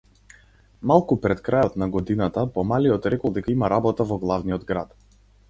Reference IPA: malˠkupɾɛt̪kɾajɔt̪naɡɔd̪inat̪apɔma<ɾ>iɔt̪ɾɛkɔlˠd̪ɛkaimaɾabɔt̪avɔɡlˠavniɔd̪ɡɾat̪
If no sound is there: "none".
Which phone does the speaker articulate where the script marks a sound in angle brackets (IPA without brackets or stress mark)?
l